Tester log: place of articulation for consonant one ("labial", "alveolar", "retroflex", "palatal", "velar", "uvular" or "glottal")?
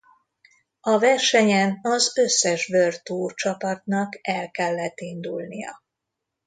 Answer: labial